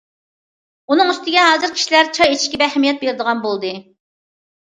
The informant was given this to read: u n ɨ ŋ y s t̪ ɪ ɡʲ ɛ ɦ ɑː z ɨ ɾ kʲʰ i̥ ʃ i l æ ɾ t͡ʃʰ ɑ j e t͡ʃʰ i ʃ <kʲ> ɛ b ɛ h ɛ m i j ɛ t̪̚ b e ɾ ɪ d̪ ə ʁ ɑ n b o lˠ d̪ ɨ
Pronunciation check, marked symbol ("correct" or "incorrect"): correct